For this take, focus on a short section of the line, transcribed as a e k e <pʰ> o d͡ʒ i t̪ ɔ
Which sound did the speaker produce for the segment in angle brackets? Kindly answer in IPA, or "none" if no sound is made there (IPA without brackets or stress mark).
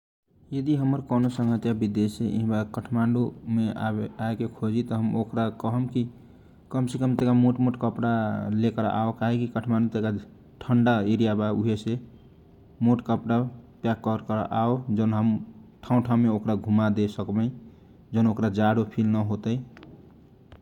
kʰ